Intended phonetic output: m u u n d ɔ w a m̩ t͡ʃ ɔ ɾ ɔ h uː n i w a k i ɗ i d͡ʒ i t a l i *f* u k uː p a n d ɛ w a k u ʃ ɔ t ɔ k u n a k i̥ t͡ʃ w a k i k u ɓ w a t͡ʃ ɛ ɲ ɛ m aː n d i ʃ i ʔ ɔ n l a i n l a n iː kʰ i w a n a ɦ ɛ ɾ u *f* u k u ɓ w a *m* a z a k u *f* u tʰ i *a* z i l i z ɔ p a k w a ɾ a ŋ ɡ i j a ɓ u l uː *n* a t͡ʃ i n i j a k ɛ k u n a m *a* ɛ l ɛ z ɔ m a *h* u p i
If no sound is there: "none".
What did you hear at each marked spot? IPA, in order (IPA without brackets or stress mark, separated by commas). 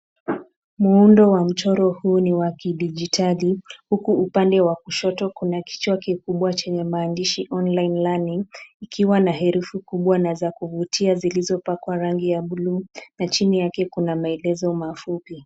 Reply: h, f, n, v, a, n, a, f